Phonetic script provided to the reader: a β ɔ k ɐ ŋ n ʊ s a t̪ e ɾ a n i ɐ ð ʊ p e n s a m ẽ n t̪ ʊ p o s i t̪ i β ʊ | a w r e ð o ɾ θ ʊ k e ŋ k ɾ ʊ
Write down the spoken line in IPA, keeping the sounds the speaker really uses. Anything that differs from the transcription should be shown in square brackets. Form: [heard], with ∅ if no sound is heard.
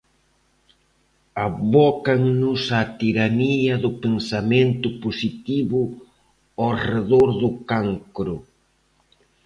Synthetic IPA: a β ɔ k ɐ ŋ n ʊ s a t̪ [i] ɾ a n i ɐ ð ʊ p e n s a m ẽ n t̪ ʊ p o s i t̪ i β ʊ | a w r e ð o ɾ [ð] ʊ k [a] ŋ k ɾ ʊ

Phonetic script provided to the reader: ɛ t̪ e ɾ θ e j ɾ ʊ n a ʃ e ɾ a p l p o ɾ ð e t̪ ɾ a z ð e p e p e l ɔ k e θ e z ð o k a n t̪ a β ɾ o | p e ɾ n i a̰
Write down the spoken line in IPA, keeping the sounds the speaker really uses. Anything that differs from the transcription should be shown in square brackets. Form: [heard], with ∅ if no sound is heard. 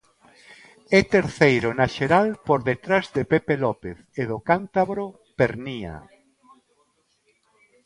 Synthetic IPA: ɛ t̪ e ɾ θ e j ɾ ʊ n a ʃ e ɾ a [∅] l p o ɾ ð e t̪ ɾ a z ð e p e p e l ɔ [p] e θ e [∅] ð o k a n t̪ a β ɾ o | p e ɾ n i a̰

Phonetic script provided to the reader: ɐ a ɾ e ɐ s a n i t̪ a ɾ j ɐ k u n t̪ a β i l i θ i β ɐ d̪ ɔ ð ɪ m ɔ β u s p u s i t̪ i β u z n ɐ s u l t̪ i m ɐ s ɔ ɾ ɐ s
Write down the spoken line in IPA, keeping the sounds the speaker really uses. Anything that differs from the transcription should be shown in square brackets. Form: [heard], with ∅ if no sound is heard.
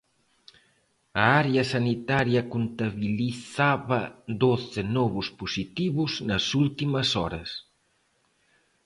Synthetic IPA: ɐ a ɾ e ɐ s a n i t̪ a ɾ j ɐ k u n t̪ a β i l i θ [a] β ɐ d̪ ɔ [θ] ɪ [n] ɔ β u s p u s i t̪ i β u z n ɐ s u l t̪ i m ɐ s ɔ ɾ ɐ s

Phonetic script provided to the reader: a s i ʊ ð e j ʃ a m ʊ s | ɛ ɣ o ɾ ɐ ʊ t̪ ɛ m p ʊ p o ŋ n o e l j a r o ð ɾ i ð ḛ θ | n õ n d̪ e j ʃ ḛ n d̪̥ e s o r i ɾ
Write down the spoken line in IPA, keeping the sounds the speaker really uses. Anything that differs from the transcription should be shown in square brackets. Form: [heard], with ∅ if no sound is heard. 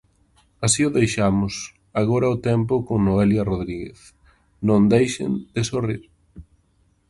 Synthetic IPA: a s i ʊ ð e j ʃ a m ʊ s | [a] ɣ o ɾ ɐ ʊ t̪ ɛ m p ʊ [k] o ŋ n o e l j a r o ð ɾ i [ɣ] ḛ θ | n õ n d̪ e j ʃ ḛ n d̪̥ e s o r i ɾ

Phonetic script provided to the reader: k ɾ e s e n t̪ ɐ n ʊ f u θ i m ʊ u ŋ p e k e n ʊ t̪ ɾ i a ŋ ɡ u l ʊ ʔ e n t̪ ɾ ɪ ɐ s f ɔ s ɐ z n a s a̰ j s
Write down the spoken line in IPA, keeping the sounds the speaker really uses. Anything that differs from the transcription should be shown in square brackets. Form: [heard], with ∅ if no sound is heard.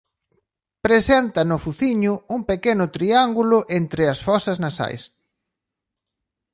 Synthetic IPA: [p] ɾ e s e n t̪ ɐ n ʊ f u θ i [ɲ] ʊ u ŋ p e k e n ʊ t̪ ɾ i a ŋ ɡ u l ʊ ʔ e n t̪ ɾ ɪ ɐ s f ɔ s ɐ z n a s a̰ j s

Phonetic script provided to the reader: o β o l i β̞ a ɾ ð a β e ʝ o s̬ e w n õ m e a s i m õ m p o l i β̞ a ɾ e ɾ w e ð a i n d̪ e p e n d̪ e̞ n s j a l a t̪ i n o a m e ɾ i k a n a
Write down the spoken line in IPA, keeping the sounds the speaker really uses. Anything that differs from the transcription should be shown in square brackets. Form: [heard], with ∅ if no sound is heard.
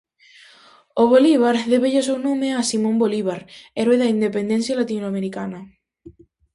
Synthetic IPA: o β o l i β̞ a ɾ ð [e] β e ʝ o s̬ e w n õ m e a s i m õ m [b] o l i β̞ a ɾ e ɾ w e ð a i n d̪ e p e n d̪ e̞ n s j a l a t̪ i n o a m e ɾ i k a n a

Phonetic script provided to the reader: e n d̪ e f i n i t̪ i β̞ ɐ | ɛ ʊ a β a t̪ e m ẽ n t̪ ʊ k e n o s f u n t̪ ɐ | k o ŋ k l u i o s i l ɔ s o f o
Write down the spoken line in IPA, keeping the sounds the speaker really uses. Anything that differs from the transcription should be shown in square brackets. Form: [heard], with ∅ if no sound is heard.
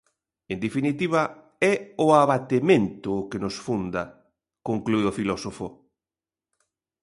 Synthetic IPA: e n d̪ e f i n i t̪ i β̞ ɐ | ɛ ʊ a β a t̪ e m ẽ n t̪ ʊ k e n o s f u n [d̪] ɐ | k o ŋ k l u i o [f] i l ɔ s o f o

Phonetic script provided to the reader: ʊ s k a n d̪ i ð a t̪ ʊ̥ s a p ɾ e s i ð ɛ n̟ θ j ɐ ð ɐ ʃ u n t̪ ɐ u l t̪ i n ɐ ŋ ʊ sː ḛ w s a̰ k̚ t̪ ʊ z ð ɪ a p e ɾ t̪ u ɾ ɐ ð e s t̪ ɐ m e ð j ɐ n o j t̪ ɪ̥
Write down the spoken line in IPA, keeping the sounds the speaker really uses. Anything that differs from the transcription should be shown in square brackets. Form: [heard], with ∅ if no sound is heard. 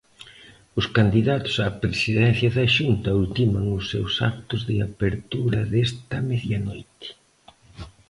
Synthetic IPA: ʊ s k a n d̪ i ð a t̪ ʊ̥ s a p ɾ e s i ð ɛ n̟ θ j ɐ ð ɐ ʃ u n t̪ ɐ u l t̪ i [m] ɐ ŋ ʊ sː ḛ w s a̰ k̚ t̪ ʊ z ð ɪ a p e ɾ t̪ u ɾ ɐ ð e s t̪ ɐ m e ð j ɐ n o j t̪ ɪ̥

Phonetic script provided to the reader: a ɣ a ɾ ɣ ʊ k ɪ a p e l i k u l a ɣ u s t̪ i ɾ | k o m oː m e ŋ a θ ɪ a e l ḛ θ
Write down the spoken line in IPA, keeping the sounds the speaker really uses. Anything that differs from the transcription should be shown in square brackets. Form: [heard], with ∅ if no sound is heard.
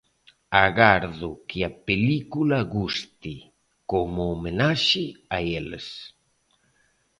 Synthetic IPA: a ɣ a ɾ [ð] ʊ k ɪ a p e l i k u l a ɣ u s t̪ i [∅] | k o m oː m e [n] a [ʃ] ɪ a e l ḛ [s]

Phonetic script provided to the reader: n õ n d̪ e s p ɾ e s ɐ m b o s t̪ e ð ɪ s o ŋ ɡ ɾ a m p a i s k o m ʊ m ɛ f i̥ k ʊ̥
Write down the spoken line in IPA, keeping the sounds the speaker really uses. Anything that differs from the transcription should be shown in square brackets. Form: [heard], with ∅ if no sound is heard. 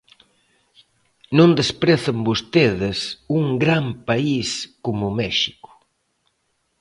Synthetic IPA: n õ n d̪ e s p ɾ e [θ] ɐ m b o s t̪ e ð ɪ s [u] ŋ ɡ ɾ a m p a i s k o m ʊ m ɛ [ʃ] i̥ k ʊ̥

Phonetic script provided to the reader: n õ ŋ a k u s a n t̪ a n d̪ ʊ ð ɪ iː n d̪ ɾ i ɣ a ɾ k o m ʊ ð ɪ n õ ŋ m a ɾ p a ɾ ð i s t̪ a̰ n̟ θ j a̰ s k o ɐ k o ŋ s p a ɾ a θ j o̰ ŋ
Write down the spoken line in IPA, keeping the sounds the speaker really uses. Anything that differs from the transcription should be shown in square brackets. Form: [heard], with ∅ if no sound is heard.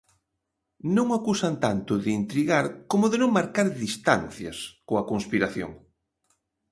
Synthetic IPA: n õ ŋ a k u s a n t̪ a n [t̪] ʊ ð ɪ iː n [t̪] ɾ i ɣ a ɾ k o m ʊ ð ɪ n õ ŋ m a ɾ [k] a ɾ ð i s t̪ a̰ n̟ θ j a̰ s k o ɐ k o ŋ s p [i] ɾ a θ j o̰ ŋ

